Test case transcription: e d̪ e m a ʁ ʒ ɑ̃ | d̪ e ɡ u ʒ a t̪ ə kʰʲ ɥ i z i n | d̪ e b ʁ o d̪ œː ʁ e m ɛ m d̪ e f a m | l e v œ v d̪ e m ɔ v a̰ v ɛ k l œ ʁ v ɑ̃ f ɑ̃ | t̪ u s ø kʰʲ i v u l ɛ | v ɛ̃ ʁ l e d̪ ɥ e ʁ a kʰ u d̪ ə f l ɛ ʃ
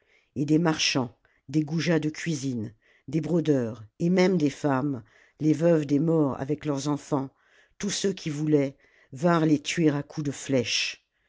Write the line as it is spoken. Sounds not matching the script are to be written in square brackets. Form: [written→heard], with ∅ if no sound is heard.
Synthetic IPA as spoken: e d̪ e m a ʁ [ʒ→ʃ] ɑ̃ | d̪ e ɡ u ʒ a [t̪→d̪] ə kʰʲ ɥ i z i n | d̪ e b ʁ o d̪ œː ʁ e m ɛ m d̪ e f a m | l e v œ v d̪ e m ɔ [v→ʁ] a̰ v ɛ k l œ ʁ [v→z] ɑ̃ f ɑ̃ | t̪ u s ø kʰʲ i v u l ɛ | v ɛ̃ ʁ l e [d̪→t̪] ɥ e ʁ a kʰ u d̪ ə f l ɛ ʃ